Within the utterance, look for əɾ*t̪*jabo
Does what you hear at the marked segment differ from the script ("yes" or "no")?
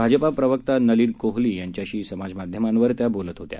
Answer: no